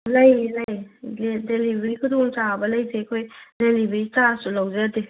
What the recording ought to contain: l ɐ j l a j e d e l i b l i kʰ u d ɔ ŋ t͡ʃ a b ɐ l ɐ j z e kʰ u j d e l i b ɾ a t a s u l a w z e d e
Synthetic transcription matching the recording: l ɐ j l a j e d e l i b ɾ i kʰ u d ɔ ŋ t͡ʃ a b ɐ l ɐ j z e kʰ o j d e l i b ɾ i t a s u l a w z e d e